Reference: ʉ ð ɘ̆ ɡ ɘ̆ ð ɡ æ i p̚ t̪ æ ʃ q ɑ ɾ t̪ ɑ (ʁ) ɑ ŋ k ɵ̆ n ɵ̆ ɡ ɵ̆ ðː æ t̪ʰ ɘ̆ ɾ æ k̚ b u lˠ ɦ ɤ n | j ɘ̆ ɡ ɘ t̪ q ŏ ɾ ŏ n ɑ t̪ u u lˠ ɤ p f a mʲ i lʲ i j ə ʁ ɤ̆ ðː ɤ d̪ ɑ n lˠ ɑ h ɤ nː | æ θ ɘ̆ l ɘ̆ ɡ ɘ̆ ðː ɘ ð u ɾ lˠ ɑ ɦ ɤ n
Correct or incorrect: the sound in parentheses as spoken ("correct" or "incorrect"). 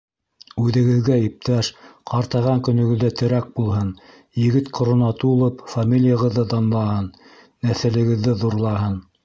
correct